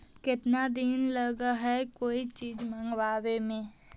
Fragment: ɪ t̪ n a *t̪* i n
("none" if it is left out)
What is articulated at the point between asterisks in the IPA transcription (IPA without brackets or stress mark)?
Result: d̪